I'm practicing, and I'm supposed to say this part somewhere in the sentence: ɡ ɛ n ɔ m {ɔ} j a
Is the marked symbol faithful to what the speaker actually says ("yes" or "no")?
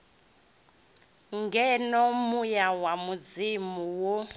no